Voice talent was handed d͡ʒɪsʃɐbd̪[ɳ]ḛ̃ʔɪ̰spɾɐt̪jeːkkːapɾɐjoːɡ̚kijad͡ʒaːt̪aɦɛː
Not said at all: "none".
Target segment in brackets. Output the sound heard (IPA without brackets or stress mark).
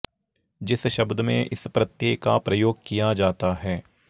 m